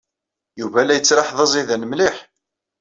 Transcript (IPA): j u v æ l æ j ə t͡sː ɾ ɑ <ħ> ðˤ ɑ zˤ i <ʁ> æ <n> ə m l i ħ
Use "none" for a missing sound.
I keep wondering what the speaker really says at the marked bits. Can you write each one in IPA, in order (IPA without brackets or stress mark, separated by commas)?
ħ, ð, n